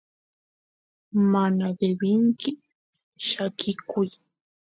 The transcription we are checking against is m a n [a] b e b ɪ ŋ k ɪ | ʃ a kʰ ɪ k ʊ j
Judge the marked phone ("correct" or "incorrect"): correct